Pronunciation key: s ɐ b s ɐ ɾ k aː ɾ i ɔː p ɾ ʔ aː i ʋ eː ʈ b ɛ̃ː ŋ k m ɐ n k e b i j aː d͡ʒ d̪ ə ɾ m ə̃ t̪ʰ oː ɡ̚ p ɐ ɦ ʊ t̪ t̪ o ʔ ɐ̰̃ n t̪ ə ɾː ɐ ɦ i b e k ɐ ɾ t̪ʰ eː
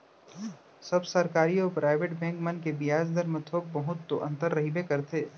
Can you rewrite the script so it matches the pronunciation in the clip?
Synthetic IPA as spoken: s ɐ b s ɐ ɾ k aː ɾ i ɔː p ɾ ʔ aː ɪ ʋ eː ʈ b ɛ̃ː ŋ k m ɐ n k e b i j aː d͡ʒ d̪ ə ɾ m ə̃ t̪ʰ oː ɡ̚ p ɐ ɦ ʊ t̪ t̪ o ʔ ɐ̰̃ n t̪ ə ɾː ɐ ɦ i b e k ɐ ɾ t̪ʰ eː